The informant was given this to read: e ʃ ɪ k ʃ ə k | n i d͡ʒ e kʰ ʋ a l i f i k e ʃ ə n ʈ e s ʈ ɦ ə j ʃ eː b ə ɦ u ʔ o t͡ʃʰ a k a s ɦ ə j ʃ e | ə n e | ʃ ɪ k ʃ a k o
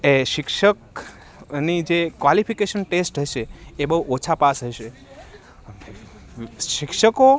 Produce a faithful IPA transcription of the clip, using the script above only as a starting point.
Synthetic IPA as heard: e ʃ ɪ k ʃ ə k | n i d͡ʒ e k ʋ a l i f i k e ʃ ə n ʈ e s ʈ ɦ ə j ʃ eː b ə ɦ u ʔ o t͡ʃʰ a p a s ɦ ə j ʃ e | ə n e | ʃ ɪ k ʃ ə k o